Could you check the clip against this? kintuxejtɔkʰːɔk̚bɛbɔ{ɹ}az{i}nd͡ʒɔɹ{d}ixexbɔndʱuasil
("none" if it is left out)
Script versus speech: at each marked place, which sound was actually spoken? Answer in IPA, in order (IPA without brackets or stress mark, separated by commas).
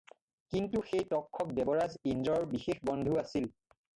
ɹ, i, b